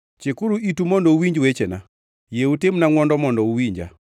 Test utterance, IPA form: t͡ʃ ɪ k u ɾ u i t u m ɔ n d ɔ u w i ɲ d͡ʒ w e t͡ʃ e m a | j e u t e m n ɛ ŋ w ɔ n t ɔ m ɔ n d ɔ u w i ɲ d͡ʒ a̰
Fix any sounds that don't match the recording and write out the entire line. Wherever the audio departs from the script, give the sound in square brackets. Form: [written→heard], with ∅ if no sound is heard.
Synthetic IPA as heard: t͡ʃ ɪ k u ɾ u i t u m ɔ n d ɔ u w i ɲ d͡ʒ w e t͡ʃ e [m→n] a | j e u t e m n [ɛ→a] ŋ w ɔ n [t→d] ɔ m ɔ n d ɔ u w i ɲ d͡ʒ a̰